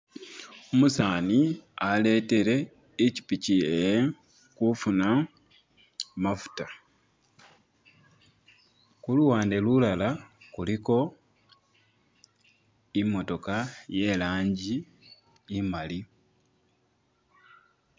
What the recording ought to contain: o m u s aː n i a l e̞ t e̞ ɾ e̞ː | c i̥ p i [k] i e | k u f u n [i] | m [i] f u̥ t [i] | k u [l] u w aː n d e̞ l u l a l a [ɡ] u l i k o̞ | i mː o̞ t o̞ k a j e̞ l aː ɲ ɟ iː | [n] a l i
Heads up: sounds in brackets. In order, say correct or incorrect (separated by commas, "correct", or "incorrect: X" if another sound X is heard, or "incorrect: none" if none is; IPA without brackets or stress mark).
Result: incorrect: c, incorrect: a, incorrect: a, incorrect: a, correct, incorrect: k, incorrect: m